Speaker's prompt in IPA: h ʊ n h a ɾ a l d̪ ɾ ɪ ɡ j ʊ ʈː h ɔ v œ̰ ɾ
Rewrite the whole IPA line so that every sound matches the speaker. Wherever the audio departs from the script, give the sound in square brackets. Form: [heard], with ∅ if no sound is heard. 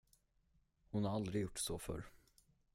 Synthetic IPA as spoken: h ʊ n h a ɾ a l d̪ ɾ ɪ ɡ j ʊ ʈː [s] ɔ [f] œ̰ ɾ